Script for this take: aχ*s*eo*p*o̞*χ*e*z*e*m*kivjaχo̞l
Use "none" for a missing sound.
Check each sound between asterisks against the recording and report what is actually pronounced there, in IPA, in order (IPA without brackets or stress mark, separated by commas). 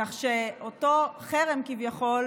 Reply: ʃ, t, χ, ʁ, m